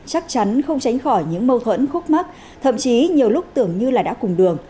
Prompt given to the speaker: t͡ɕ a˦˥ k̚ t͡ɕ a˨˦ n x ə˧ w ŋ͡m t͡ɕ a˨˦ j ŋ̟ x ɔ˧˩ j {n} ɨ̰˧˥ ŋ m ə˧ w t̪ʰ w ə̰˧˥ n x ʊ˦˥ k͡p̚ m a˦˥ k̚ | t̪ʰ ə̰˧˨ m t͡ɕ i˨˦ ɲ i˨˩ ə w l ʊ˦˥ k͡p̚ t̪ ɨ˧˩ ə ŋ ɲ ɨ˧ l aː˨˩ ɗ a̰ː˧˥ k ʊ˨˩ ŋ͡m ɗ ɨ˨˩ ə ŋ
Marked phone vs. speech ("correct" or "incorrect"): incorrect